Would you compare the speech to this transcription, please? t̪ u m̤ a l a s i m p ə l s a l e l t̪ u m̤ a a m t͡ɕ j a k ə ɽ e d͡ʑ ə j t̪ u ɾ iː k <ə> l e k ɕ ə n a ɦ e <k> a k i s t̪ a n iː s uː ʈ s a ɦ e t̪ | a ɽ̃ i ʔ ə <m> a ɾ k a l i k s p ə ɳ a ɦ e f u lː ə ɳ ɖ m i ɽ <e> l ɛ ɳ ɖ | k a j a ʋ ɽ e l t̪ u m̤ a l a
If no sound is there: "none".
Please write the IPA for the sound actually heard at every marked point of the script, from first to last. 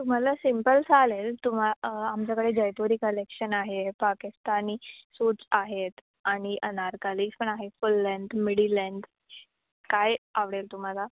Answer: ə, p, n, i

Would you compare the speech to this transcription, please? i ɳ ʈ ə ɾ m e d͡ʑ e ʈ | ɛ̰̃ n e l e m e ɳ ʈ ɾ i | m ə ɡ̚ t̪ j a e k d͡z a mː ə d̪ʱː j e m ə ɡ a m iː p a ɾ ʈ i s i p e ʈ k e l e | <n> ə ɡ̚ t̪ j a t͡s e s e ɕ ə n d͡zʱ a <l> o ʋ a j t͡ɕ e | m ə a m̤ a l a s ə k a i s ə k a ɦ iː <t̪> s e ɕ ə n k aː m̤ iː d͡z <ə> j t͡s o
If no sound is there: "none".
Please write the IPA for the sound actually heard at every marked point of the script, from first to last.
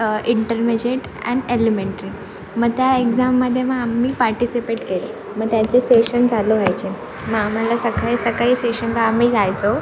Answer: m, l, none, a

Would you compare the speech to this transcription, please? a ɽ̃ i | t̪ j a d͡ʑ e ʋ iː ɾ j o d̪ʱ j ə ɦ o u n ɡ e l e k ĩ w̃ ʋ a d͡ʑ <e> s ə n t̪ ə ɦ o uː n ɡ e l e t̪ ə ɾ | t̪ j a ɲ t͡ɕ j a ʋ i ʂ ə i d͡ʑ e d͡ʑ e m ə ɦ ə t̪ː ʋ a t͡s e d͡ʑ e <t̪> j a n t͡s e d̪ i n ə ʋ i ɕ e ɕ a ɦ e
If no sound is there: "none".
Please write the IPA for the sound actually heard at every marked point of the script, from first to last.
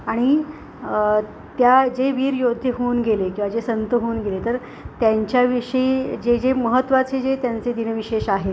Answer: e, t̪

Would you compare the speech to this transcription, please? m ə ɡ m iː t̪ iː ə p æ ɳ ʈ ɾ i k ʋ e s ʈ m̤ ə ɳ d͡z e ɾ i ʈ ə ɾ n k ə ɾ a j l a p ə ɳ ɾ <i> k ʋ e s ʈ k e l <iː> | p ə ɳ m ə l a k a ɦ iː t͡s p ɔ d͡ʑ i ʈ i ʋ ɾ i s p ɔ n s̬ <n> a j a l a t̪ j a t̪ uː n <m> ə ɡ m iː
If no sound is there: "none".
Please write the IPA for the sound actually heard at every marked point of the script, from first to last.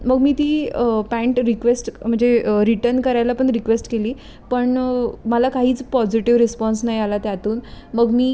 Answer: i, iː, n, m

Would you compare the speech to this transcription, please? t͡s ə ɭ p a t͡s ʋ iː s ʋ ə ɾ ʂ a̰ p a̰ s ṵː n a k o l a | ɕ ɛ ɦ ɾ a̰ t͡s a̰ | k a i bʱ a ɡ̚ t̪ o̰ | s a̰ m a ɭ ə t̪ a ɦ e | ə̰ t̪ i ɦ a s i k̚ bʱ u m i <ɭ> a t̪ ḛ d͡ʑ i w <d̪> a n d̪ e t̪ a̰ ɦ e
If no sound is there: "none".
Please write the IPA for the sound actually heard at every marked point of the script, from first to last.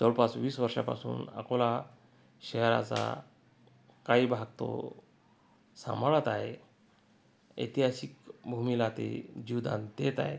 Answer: l, d̪

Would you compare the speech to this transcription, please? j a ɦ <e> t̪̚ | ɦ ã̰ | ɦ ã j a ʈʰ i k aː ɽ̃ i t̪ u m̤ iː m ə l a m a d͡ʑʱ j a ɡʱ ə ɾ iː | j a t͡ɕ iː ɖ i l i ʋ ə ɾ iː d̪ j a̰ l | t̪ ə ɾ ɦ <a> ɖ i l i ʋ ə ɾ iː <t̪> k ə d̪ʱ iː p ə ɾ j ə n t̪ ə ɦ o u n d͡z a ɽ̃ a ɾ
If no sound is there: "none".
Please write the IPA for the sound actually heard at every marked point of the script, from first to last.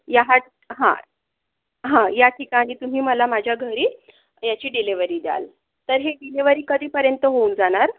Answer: a, e, none

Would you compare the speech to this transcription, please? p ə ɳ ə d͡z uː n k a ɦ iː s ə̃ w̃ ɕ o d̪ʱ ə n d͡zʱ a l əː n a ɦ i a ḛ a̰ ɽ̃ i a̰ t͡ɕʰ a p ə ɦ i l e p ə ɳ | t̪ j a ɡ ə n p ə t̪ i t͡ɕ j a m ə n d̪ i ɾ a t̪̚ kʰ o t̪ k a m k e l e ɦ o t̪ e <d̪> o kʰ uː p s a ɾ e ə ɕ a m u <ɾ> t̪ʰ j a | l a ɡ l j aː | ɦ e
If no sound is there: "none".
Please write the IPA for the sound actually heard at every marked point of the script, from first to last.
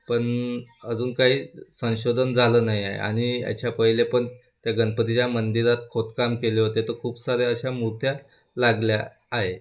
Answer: t̪, ɾ

